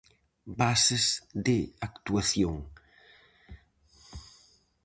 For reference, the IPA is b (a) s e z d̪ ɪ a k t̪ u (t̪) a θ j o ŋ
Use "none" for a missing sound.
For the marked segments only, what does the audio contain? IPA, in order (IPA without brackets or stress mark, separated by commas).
a, none